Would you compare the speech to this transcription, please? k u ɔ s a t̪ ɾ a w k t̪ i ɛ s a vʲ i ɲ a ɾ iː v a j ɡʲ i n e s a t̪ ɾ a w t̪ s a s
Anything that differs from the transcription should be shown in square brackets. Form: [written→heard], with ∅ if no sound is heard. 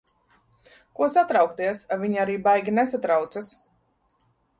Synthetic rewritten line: k u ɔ s a t̪ ɾ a w k t̪ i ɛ s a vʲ i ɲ a ɾ iː [v→b] a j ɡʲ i n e s a t̪ ɾ a w t̪ s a s